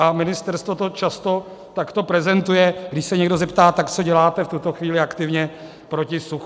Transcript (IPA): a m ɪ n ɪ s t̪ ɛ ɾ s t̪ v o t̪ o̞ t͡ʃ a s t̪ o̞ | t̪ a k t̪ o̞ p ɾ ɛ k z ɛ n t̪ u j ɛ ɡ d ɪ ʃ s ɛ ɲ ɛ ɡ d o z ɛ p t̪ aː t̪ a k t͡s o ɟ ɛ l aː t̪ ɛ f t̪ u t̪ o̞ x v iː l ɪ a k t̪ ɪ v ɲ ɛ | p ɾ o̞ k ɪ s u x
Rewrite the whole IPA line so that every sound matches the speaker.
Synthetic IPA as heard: a m ɪ n ɪ s t̪ ɛ ɾ s t̪ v o t̪ o̞ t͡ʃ a s t̪ o̞ | t̪ a k t̪ o̞ p ɾ ɛ z ɛ n t̪ u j ɛ ɡ d ɪ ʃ s ɛ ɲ ɛ ɡ d o z ɛ p t̪ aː t̪ a k t͡s o ɟ ɛ l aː t̪ ɛ f t̪ u t̪ o̞ x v iː l ɪ a k t̪ ɪ v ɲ ɛ | p ɾ o̞ c ɪ s u x